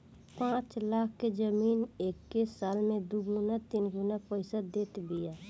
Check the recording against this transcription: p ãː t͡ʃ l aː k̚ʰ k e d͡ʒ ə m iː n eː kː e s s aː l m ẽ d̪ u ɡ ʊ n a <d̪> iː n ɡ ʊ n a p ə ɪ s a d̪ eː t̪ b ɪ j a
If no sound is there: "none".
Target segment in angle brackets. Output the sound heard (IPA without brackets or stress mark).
t̪